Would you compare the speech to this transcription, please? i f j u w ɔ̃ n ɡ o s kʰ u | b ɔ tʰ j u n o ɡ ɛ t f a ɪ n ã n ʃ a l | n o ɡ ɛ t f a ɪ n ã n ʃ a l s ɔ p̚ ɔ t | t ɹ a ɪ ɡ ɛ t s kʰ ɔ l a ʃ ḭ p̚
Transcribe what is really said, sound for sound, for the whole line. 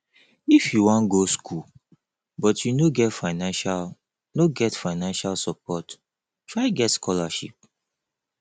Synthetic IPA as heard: i f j u w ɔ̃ n ɡ o s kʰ u | b ɔ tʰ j u n o ɡ ɛ t f a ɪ n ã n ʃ a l | n o ɡ ɛ t f a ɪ n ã n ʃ a l s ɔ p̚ ɔ t | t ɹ a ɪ ɡ ɛ t s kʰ ɔ l a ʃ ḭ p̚